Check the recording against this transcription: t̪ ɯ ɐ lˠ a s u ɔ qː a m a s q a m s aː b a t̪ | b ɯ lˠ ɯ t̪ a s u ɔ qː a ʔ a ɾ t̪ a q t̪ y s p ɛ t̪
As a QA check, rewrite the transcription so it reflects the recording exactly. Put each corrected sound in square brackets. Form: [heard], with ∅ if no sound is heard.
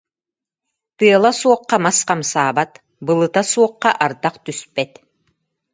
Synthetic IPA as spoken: t̪ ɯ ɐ lˠ a s u ɔ qː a m a s q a m s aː b a t̪ | b ɯ lˠ ɯ t̪ a s u ɔ qː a ʔ a ɾ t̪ a q t̪ y s p ɛ t̪